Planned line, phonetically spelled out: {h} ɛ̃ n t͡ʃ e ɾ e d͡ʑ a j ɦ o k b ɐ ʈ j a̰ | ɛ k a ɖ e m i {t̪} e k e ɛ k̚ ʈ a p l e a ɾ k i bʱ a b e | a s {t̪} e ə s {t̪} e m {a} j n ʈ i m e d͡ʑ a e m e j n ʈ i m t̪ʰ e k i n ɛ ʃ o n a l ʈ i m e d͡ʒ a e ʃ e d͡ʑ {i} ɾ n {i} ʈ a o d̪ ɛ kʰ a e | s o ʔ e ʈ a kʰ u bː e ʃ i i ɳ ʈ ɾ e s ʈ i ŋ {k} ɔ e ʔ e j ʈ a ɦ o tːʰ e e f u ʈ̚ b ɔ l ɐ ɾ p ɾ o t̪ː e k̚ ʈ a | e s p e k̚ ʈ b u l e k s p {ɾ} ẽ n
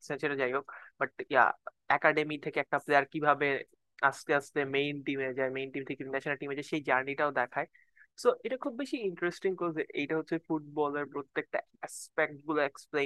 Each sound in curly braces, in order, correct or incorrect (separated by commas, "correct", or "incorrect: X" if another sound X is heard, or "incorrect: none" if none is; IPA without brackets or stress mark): incorrect: s, incorrect: t̪ʰ, correct, correct, incorrect: e, incorrect: a, correct, correct, incorrect: l